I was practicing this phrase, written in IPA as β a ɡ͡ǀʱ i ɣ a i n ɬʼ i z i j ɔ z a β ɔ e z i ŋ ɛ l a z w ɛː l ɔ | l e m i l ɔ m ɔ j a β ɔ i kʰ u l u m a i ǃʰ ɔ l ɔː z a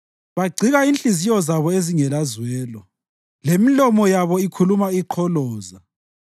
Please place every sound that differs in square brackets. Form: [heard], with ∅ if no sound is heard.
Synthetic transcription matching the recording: β a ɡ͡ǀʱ i ɣ a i n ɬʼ i z i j ɔ z a β ɔ e z i ŋ ɛ l a z w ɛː l ɔ | l e m i l ɔ m ɔ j a β ɔ i kʰ u l u m a i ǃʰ ɔ l ɔː z a

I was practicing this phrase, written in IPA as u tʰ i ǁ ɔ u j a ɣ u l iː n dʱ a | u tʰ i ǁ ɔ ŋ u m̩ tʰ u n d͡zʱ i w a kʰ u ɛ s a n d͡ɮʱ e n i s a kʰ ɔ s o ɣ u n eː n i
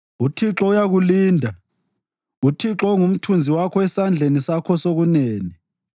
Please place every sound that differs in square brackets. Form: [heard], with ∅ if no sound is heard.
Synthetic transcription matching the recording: u tʰ i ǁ ɔ u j a ɣ u l iː n dʱ a | u tʰ i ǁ ɔ ŋ u m̩ tʰ u n d͡zʱ i w a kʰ [ɔ] ɛ s a n d͡ɮʱ e n i s a kʰ ɔ s o ɣ u n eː n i

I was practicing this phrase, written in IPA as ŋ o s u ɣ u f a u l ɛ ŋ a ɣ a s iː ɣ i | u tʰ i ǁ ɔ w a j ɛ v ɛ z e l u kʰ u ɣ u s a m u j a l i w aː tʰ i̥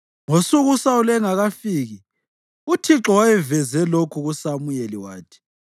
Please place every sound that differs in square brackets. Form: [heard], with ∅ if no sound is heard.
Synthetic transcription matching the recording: ŋ o s u ɣ u [s] a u l ɛ ŋ a ɣ a [f] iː ɣ i | u tʰ i ǁ ɔ w a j ɛ v ɛ z [ɛ] l [o] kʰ u ɣ u s a m u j [e] l i w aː tʰ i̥

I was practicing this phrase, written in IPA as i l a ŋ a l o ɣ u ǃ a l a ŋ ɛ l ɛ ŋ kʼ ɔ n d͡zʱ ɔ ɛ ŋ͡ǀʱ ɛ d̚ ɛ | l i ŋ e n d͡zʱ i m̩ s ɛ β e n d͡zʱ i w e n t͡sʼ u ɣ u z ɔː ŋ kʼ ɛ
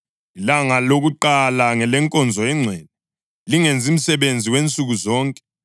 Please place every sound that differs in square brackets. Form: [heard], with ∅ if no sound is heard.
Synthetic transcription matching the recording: i l a ŋ a l o ɣ u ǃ a l a ŋ ɛ l ɛ ŋ kʼ ɔ n d͡zʱ ɔ ɛ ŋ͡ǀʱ ɛ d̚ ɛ | l i ŋ e n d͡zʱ i m̩ s ɛ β e n d͡zʱ i w e n t͡sʼ u ɣ u z ɔː ŋ kʼ ɛ

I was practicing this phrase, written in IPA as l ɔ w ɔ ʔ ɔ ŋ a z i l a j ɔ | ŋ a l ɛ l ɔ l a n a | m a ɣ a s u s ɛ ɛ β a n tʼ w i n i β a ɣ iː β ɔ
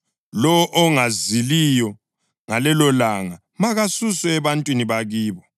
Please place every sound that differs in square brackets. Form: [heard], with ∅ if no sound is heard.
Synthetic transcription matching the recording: l ɔ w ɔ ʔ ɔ ŋ a z i l [i] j ɔ | ŋ a l ɛ l ɔ l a [ŋ] a | m a ɣ a s u s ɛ ɛ β a n tʼ w i n i β a ɣ iː β ɔ

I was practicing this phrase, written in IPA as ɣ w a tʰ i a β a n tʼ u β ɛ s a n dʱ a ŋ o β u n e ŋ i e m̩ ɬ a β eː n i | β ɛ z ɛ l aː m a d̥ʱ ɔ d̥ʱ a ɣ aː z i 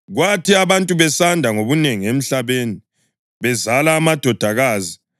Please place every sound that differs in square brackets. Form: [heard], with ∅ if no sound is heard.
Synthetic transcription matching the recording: ɣ w a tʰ i a β a n tʼ u β ɛ s a n dʱ a ŋ o β u n e ŋ i e m̩ ɬ a β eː n i | β ɛ z [a] l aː m a d̥ʱ ɔ d̥ʱ a ɣ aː z i

